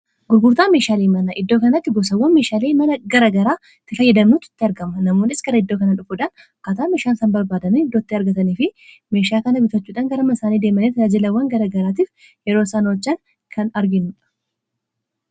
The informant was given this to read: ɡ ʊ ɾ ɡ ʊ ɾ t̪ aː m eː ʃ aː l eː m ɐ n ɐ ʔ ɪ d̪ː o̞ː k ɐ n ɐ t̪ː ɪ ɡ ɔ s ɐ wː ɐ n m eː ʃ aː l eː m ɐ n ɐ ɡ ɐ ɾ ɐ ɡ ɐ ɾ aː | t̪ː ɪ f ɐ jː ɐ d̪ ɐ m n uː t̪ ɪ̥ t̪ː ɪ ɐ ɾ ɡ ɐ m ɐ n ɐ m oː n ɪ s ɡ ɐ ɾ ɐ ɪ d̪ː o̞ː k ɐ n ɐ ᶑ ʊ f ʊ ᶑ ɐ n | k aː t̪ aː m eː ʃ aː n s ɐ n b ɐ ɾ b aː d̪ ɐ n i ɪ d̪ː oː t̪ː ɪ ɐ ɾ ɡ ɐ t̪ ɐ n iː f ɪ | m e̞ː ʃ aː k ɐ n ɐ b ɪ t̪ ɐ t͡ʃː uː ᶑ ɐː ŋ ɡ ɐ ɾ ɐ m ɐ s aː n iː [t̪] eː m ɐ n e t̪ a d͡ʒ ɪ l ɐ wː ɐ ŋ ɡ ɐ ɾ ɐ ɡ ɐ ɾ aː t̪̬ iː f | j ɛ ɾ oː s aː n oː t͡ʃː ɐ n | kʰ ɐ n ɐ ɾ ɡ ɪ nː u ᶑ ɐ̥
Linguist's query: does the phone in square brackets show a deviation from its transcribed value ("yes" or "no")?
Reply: yes